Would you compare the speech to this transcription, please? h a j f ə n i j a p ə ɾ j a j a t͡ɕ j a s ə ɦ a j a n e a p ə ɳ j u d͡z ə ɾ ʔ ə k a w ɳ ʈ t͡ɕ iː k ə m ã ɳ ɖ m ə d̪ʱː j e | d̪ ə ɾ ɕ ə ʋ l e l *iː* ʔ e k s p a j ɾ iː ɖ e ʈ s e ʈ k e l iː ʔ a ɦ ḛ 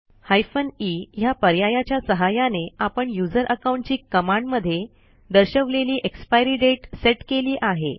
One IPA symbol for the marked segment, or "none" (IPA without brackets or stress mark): iː